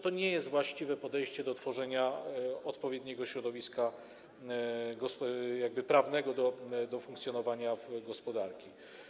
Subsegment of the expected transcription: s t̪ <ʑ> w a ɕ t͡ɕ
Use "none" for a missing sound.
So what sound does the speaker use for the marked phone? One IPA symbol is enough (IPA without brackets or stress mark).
v